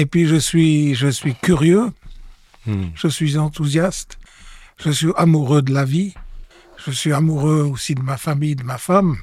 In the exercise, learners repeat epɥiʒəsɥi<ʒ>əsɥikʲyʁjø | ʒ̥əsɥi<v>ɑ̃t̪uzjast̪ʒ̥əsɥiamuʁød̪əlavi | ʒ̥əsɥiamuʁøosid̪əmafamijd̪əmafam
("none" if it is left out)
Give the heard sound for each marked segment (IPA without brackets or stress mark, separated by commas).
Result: ʒ, z